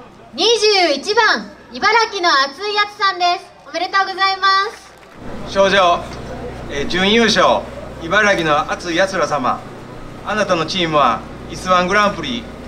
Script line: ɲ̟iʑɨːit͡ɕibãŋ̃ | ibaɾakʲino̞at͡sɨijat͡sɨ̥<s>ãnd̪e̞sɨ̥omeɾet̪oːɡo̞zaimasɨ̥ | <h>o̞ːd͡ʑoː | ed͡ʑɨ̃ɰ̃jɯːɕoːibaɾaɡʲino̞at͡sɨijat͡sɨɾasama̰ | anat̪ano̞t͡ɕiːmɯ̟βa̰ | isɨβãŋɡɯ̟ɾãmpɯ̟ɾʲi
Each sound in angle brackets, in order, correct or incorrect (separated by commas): correct, incorrect